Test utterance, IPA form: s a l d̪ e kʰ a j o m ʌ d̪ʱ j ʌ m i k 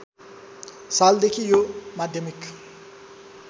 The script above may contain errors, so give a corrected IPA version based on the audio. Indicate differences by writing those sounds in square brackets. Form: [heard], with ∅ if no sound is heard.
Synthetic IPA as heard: s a l d̪ e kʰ [i] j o m [a] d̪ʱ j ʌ m i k